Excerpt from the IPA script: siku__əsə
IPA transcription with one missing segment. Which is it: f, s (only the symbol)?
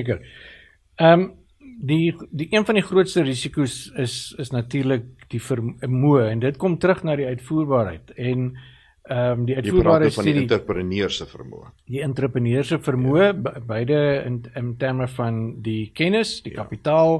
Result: s